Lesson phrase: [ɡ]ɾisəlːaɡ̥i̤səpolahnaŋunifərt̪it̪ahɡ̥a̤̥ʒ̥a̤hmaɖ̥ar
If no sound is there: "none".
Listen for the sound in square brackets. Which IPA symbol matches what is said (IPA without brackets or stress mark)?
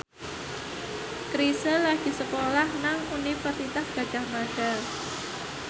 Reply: k